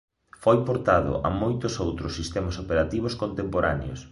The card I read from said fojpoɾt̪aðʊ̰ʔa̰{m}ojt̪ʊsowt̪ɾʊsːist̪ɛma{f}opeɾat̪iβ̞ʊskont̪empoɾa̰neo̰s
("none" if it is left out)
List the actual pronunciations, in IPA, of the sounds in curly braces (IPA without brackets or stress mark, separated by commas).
m, s